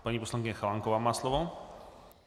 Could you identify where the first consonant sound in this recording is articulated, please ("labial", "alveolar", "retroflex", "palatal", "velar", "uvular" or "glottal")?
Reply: labial